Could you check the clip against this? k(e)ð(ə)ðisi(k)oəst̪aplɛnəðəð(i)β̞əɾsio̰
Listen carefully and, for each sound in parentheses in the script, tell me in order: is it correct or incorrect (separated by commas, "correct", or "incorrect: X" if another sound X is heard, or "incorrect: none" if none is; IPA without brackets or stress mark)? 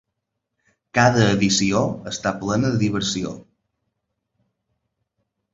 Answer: incorrect: a, incorrect: əː, incorrect: none, correct